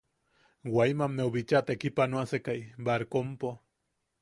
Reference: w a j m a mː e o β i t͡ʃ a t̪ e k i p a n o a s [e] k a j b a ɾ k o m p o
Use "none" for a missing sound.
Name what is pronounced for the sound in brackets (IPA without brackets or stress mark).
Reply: e